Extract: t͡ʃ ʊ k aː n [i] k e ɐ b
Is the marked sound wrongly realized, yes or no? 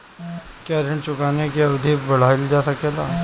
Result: yes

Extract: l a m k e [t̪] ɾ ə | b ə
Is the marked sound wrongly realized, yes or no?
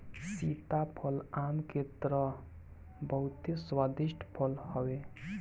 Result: no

